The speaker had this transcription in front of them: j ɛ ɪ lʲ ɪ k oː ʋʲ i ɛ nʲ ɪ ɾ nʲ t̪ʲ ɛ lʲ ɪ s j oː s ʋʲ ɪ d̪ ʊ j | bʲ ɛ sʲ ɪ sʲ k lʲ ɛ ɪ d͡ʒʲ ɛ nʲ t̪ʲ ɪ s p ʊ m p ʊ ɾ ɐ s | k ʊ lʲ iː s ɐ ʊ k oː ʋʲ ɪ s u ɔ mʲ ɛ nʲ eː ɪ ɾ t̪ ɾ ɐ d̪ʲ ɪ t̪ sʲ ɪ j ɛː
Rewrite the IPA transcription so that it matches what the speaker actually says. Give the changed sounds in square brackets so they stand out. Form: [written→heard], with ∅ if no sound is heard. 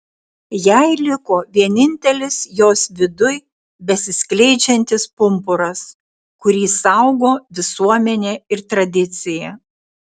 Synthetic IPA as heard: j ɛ ɪ lʲ ɪ k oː ʋʲ i ɛ nʲ ɪ [ɾ→∅] nʲ t̪ʲ ɛ lʲ ɪ s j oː s ʋʲ ɪ d̪ ʊ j | bʲ ɛ sʲ ɪ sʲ k lʲ ɛ ɪ d͡ʒʲ ɛ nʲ t̪ʲ ɪ s p ʊ m p ʊ ɾ ɐ s | k ʊ [lʲ→ɾʲ] iː s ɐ ʊ [k→ɡ] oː ʋʲ ɪ s u ɔ mʲ ɛ nʲ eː ɪ ɾ t̪ ɾ ɐ d̪ʲ ɪ t̪ sʲ ɪ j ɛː